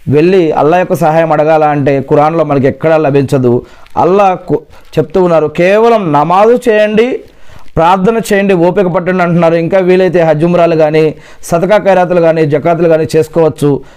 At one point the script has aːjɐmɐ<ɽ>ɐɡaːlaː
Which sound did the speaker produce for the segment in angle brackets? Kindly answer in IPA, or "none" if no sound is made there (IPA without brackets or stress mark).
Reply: ɽ